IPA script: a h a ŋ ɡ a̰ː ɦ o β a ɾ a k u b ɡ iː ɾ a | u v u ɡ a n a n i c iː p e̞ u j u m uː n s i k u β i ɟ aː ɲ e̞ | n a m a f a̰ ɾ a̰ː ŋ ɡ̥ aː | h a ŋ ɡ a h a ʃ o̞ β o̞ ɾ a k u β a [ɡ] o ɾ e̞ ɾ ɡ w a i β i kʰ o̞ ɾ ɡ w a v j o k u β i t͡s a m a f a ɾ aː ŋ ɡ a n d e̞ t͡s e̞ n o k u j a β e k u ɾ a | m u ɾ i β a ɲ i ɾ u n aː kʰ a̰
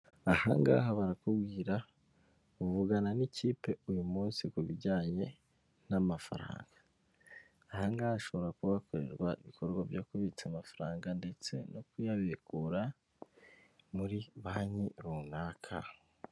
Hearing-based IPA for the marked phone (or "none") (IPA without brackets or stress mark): k